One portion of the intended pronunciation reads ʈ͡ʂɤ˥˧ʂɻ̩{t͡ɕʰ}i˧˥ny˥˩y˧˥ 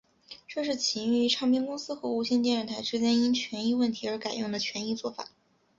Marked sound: correct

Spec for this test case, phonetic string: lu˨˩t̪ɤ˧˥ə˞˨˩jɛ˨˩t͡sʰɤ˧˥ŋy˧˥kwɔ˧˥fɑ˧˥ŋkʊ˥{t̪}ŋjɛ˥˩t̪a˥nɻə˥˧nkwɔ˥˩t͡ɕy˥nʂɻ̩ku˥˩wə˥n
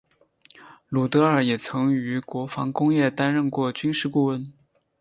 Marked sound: incorrect: none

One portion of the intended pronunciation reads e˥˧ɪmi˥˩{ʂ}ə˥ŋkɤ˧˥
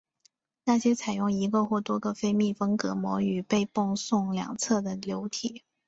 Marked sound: incorrect: f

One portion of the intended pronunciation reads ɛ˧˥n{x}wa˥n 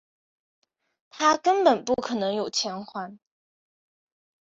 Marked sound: correct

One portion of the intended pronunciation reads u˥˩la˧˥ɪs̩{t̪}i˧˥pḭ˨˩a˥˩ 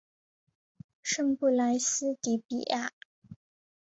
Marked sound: correct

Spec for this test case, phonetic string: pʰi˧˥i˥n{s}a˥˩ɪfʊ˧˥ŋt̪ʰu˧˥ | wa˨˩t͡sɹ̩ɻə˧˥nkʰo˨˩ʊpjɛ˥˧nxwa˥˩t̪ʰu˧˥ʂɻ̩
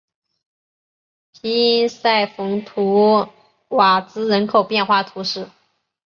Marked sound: correct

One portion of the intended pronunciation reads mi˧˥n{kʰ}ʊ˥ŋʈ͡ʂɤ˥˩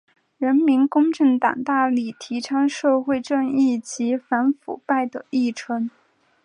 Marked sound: incorrect: k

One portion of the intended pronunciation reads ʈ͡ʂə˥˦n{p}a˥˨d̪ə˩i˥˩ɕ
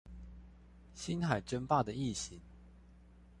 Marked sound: correct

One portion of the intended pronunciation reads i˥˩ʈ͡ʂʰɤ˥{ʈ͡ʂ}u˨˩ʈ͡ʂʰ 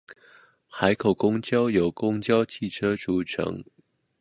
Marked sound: correct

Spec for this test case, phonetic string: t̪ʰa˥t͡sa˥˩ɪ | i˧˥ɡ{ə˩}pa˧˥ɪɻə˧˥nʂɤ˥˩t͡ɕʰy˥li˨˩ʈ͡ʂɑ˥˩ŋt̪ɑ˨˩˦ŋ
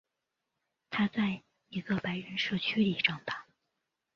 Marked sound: incorrect: ə˧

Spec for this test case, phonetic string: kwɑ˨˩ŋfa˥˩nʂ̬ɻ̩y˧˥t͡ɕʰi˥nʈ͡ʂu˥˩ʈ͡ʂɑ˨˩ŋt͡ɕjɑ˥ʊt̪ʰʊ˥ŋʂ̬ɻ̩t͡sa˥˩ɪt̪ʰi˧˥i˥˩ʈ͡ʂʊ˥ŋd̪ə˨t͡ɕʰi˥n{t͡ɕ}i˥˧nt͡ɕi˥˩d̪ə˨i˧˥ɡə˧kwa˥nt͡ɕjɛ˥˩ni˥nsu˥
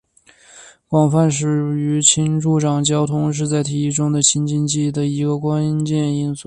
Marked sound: correct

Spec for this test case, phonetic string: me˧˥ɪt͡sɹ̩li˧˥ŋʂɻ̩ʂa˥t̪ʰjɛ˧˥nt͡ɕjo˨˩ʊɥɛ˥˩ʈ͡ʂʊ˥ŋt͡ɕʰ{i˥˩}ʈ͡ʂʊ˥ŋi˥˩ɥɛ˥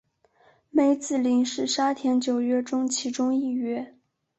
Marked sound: incorrect: i˧˥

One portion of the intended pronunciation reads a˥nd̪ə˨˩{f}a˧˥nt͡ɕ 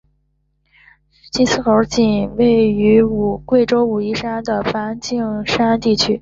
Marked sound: correct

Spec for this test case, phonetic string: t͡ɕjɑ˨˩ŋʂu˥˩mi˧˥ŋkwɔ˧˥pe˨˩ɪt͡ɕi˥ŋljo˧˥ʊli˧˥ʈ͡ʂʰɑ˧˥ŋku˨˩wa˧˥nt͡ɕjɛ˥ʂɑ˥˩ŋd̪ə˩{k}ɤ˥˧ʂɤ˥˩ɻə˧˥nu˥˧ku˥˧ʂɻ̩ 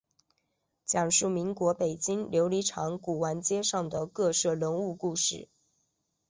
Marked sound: correct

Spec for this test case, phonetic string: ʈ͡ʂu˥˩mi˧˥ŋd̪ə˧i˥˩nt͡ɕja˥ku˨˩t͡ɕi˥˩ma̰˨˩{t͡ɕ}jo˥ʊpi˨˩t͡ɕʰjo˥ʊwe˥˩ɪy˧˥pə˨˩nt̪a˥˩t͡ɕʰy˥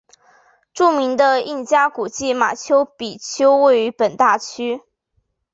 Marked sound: incorrect: t͡ɕʰ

